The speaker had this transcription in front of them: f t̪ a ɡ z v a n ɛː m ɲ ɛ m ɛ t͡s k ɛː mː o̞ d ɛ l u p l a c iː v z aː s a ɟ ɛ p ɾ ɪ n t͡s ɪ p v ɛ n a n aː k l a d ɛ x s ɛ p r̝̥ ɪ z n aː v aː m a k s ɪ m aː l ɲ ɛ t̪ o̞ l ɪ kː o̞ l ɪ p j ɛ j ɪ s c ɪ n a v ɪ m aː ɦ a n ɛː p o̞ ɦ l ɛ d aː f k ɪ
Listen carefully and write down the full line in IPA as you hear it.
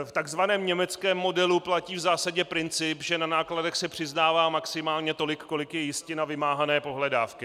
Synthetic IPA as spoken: f t̪ a ɡ z v a n ɛː m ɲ ɛ m ɛ t͡s k ɛː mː o̞ d ɛ l u p l a c iː v z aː s a ɟ ɛ p ɾ ɪ n t͡s ɪ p ʒ ɛ n a n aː k l a d ɛ x s ɛ p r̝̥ ɪ z n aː v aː m a k s ɪ m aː l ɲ ɛ t̪ o̞ l ɪ kː o̞ l ɪ k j ɛ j ɪ s c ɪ n a v ɪ m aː ɦ a n ɛː p o̞ ɦ l ɛ d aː f k ɪ